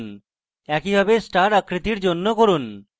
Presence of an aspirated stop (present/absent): absent